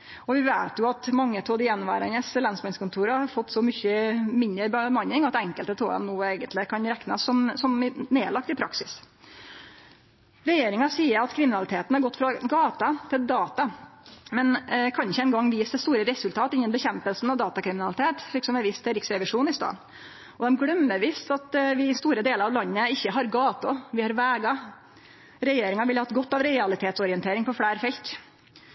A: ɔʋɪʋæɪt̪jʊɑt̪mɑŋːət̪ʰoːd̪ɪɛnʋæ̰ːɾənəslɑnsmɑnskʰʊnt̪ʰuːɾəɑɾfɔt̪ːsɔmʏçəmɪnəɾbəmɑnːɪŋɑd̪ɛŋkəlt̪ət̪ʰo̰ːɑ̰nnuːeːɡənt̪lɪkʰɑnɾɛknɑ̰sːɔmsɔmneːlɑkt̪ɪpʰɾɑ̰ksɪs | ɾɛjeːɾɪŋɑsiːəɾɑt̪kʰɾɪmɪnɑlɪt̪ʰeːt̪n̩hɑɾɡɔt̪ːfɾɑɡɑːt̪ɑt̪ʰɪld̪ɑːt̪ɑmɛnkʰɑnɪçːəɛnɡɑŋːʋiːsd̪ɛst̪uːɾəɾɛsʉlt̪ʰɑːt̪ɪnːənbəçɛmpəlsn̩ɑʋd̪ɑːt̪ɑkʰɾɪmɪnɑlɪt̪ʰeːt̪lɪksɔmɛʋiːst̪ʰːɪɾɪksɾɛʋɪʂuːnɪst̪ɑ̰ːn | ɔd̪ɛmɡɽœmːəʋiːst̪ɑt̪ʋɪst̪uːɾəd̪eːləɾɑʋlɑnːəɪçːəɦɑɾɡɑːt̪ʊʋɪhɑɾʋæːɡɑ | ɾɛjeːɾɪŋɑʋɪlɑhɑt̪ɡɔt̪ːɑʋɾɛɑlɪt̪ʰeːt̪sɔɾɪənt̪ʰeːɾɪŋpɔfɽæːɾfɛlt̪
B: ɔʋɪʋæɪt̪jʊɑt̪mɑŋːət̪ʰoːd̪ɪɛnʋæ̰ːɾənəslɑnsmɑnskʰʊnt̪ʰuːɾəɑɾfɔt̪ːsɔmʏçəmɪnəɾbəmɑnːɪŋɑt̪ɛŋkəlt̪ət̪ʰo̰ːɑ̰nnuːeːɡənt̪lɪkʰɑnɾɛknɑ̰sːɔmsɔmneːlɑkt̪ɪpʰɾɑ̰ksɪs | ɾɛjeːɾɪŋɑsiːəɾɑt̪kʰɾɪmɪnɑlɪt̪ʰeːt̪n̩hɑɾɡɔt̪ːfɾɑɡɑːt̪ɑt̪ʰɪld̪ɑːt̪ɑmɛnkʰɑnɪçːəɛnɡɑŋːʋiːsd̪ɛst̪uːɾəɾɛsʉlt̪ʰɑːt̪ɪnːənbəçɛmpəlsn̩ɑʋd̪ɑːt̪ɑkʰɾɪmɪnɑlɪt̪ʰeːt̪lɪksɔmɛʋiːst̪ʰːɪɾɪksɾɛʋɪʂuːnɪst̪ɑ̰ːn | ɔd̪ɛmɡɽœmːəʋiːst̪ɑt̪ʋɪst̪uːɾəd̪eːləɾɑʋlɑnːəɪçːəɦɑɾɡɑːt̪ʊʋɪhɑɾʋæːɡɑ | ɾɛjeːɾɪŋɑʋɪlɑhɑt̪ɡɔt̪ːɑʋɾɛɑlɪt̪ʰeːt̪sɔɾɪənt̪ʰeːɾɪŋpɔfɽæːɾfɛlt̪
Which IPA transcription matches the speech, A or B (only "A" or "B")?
B